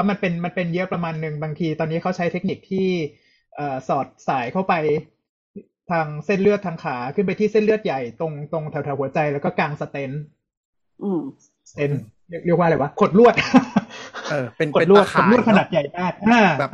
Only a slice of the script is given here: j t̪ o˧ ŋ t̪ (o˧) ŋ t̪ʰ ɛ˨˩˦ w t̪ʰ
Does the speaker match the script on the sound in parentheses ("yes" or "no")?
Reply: yes